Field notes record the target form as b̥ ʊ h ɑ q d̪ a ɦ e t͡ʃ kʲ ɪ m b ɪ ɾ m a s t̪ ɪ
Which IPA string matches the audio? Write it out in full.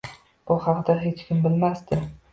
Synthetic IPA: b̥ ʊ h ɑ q d̪ a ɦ e t͡ʃ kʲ ɪ m b ɪ l m a s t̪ ɪ

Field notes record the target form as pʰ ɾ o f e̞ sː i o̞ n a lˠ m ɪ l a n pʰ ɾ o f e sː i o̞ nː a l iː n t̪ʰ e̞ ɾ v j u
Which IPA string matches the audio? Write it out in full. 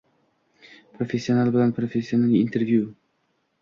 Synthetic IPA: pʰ ɾ o f e̞ sː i o̞ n a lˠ b ɪ l a n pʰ ɾ o f e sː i o̞ n a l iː n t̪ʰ e̞ ɾ v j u

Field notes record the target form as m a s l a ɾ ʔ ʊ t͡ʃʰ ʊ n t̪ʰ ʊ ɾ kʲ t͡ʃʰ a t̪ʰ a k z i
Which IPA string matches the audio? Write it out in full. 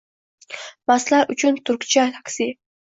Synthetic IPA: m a s l a ɾ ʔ ʊ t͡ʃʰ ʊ n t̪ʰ ʊ ɾ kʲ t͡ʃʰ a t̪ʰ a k s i

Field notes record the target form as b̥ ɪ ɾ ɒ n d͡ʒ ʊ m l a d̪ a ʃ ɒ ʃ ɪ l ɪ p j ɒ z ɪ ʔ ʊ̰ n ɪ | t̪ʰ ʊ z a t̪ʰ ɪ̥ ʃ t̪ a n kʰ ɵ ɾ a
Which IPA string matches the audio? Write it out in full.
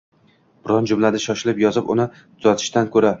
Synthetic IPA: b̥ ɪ ɾ ɒ n d͡ʒ ʊ m l a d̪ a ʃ ɒ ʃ ɪ l ɪ p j ɒ z ɪ p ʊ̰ n ɪ | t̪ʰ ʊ z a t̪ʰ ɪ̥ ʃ t̪ a n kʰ ɵ ɾ a

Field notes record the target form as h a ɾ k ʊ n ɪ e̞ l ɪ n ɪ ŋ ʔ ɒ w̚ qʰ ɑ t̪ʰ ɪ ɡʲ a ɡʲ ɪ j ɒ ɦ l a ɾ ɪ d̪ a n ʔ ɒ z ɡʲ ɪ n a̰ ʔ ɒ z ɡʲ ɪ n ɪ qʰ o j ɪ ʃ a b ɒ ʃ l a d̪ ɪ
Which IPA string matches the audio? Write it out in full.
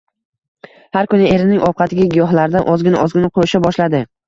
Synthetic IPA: h a ɾ k ʊ n ɪ e̞ ɾ ɪ n ɪ ŋ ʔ ɒ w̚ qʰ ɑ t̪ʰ ɪ ɡʲ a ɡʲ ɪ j ɒ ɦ l a ɾ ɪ d̪ a n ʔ ɒ z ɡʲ ɪ n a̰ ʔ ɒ z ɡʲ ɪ n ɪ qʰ o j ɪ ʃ a b ɒ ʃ l a d̪ ɪ

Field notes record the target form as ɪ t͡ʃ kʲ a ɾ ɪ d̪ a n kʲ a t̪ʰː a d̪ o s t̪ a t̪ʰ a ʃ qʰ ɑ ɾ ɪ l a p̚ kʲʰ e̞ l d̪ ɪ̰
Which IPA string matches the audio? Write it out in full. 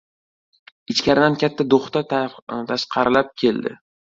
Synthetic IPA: ɪ t͡ʃ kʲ a ɾ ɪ d̪ a n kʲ a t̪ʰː a d̪ o χ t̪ a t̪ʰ a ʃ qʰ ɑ ɾ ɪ l a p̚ kʲʰ e̞ l d̪ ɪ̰

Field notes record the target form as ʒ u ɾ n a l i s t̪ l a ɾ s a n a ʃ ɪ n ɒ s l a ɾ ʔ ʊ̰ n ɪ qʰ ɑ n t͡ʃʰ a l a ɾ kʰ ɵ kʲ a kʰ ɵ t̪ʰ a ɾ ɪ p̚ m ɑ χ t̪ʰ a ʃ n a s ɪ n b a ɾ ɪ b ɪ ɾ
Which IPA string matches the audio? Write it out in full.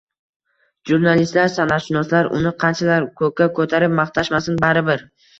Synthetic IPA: ʒ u ɾ n a l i s t̪ l a ɾ s a n a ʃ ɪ n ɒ s l a ɾ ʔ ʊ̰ n ɪ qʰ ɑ n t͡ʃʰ a l a ɾ kʰ ɵ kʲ a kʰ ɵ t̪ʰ a ɾ ɪ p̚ m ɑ χ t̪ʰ a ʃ m a s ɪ n b a ɾ ɪ b ɪ ɾ

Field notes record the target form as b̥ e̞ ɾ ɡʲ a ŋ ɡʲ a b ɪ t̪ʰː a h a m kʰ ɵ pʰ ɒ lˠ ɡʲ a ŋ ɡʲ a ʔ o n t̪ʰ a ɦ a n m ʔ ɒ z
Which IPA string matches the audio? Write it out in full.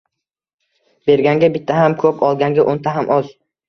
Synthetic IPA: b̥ e̞ ɾ ɡʲ a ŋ ɡʲ a b ɪ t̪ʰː a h a m kʰ ɵ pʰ ɒ lˠ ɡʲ a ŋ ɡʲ a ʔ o n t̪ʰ a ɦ a m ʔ ɒ z

